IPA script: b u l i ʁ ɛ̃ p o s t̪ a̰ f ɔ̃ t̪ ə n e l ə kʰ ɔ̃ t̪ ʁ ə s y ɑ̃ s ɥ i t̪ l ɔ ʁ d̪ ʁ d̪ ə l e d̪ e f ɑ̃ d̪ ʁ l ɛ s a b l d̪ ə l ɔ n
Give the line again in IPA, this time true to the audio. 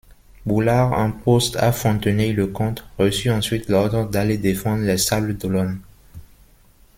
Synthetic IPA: b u l a ʁ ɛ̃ p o s t̪ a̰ f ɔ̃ t̪ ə n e l ə k ɔ̃ t̪ ʁ ə s y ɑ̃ s ɥ i t̪ l ɔ ʁ d̪ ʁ d̪ a l e d̪ e f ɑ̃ d̪ ʁ l ɛ s a b l d̪ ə l ɔ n

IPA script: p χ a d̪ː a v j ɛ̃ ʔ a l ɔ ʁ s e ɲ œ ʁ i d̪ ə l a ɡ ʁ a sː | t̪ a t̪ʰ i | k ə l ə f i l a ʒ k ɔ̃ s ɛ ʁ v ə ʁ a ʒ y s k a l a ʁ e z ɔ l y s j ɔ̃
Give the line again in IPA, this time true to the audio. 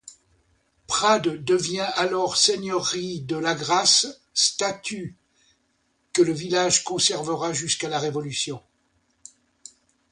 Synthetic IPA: p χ a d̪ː ə v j ɛ̃ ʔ a l ɔ ʁ s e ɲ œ ʁ i d̪ ə l a ɡ ʁ a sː | t̪ a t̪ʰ y | k ə l ə v i l a ʒ k ɔ̃ s ɛ ʁ v ə ʁ a ʒ y s k a l a ʁ e v ɔ l y s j ɔ̃

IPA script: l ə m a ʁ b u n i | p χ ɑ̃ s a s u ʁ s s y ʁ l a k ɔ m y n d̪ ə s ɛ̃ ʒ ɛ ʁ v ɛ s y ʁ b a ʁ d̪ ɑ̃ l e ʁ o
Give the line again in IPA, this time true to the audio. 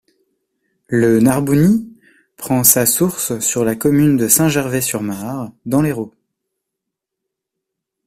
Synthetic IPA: l ə n a ʁ b u n i | p χ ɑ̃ s a s u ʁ s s y ʁ l a k ɔ m y n d̪ ə s ɛ̃ ʒ ɛ ʁ v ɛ s y ʁ m a ʁ d̪ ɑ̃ l e ʁ o

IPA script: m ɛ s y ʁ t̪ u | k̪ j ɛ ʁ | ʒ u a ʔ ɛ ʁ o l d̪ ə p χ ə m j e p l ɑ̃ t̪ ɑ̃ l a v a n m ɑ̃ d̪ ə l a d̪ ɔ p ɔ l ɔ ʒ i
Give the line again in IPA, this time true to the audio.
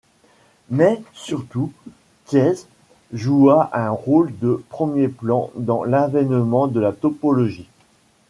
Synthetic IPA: m ɛ s y ʁ t̪ u | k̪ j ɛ z | ʒ u a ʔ ɛ̃ ʁ o l d̪ ə p χ ə m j e p l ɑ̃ d̪ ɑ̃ l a v ɛ n m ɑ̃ d̪ ə l a t̪ ɔ p ɔ l ɔ ʒ i

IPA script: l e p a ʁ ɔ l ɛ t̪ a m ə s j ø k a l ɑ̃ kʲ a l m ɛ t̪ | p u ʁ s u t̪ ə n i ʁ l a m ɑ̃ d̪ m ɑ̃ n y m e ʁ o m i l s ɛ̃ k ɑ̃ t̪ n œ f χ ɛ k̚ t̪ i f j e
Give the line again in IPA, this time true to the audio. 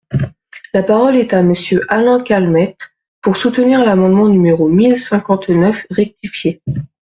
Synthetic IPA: l a p a ʁ ɔ l ɛ t̪ a m ə s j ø ʔ a l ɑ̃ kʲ a l m ɛ t̪ | p u ʁ s u t̪ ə n i ʁ l a m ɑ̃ d̪ m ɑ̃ n y m e ʁ o m i l s ɛ̃ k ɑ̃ t̪ n œ f ʁ ɛ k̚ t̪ i f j e

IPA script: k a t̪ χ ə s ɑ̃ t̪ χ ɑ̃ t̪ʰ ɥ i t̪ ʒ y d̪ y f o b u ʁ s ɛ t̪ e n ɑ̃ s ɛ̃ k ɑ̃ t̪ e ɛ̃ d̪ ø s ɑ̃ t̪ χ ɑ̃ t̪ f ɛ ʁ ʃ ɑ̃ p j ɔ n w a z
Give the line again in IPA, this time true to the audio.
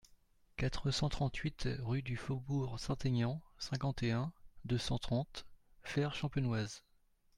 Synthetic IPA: k a t̪ χ ə s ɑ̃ t̪ χ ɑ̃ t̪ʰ ɥ i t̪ ʁ y d̪ y f o b u ʁ s ɛ̃ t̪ e ɲ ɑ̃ s ɛ̃ k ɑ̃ t̪ e ɛ̃ d̪ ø s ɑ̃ t̪ χ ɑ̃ t̪ f ɛ ʁ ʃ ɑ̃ p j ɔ n w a z

